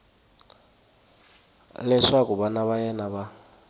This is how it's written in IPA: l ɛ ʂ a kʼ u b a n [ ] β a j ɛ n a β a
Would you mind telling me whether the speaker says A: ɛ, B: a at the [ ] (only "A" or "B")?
B